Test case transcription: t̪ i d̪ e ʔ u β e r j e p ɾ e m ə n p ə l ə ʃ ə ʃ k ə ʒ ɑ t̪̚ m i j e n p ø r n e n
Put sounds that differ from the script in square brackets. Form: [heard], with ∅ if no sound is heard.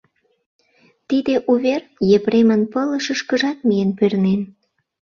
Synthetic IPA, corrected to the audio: t̪ i d̪ e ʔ u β e r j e p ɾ e m ə n p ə l ə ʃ ə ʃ k ə ʒ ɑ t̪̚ m i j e n p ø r n e n